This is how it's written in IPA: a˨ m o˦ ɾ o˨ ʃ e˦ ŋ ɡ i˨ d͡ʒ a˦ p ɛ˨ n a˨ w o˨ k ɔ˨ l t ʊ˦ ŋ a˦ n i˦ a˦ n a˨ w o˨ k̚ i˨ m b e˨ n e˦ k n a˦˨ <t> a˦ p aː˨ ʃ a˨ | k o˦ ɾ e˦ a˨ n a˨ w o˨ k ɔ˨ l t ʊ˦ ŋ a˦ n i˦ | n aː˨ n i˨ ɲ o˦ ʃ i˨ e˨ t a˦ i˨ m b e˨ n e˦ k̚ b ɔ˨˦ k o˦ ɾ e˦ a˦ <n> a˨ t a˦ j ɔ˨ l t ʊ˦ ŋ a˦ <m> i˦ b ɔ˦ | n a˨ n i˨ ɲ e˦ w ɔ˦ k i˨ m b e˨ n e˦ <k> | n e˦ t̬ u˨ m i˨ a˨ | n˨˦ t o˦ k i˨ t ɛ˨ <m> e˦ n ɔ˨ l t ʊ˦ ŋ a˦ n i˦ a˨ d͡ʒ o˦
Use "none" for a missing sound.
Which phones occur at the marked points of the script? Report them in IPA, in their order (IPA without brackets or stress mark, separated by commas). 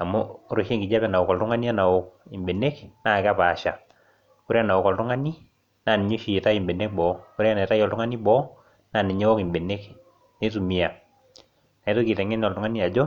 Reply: k, n, n, k, ŋ